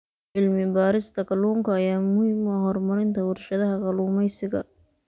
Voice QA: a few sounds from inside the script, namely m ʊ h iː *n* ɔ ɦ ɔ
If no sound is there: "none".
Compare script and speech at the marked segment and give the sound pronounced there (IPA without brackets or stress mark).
m